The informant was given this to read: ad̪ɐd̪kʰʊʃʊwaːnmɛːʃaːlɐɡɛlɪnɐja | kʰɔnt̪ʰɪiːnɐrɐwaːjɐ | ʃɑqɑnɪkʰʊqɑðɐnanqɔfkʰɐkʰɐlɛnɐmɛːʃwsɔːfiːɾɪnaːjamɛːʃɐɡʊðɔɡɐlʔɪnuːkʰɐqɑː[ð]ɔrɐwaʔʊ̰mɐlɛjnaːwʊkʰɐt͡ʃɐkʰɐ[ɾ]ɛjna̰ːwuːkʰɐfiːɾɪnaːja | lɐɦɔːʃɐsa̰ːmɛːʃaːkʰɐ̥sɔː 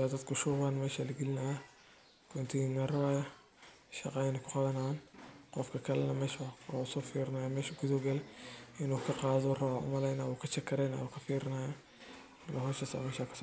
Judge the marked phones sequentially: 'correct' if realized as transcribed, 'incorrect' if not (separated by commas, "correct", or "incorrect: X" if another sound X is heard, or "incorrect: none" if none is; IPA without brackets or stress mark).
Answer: correct, correct